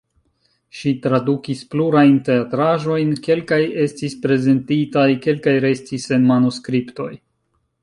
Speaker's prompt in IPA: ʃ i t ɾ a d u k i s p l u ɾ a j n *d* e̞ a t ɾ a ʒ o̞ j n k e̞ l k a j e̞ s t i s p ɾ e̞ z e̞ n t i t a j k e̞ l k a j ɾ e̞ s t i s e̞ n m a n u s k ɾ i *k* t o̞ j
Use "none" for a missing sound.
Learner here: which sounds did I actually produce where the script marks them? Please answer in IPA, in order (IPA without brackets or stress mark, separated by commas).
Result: t, p